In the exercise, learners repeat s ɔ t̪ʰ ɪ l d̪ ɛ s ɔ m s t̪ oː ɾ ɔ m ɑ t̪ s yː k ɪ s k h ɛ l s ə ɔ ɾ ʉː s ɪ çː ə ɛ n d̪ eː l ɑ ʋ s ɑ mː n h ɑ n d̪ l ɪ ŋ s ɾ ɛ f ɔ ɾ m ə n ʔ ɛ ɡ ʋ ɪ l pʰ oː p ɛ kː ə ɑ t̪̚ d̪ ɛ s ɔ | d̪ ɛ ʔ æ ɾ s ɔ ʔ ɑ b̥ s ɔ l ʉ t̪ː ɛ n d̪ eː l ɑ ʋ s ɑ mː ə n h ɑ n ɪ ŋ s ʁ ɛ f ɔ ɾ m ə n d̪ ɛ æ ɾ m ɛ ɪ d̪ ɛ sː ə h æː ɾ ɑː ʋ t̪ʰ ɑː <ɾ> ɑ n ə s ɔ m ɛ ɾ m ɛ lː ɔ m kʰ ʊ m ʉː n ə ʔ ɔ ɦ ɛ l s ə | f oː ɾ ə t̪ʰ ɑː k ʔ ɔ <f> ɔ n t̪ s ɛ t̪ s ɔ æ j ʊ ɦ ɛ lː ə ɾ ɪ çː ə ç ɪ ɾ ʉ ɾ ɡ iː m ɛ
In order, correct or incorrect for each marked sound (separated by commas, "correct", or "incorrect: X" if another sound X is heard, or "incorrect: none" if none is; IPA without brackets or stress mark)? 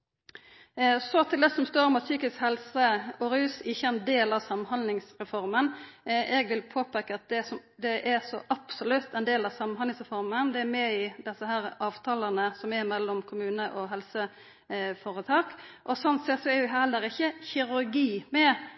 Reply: incorrect: l, incorrect: s